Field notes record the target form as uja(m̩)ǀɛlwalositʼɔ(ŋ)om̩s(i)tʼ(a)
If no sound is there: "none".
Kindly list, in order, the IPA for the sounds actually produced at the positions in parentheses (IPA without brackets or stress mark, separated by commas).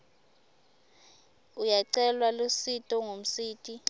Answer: none, ŋ, iː, i